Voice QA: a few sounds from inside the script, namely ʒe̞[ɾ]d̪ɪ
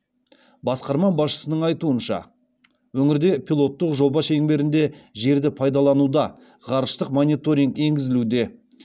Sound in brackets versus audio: correct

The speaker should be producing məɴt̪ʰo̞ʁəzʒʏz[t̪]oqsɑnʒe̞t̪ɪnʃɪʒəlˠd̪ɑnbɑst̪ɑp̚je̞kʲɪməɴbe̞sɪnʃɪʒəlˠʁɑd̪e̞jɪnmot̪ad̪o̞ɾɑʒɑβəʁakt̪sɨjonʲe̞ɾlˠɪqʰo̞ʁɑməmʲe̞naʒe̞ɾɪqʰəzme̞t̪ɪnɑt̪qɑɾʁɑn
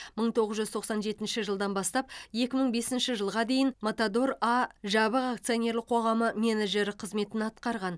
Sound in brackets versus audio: incorrect: t̪ʰ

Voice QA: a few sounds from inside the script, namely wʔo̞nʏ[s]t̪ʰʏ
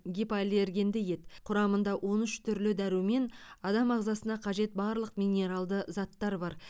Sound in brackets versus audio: incorrect: ʃ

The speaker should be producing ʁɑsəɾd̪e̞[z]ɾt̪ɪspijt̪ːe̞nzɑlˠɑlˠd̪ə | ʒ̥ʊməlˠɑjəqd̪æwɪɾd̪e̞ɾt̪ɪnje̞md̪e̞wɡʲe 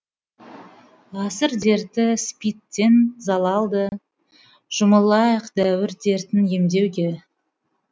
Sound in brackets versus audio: incorrect: none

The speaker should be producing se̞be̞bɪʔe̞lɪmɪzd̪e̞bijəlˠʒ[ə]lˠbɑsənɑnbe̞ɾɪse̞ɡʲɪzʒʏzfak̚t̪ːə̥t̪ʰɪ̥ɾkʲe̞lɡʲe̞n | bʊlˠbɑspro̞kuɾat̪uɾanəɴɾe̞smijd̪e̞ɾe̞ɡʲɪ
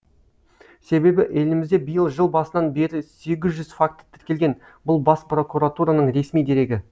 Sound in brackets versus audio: correct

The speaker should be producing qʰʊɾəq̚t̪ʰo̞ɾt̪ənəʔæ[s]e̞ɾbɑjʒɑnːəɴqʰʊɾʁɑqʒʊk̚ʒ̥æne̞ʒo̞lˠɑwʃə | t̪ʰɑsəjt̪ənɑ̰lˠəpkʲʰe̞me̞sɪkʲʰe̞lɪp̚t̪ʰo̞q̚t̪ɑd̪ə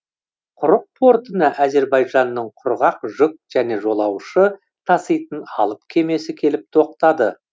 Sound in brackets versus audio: incorrect: z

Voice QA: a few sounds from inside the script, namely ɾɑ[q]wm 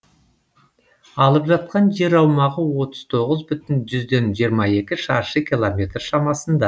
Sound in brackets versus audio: incorrect: none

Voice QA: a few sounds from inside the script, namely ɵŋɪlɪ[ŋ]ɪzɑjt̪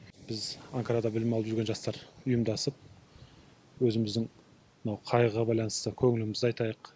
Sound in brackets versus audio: incorrect: m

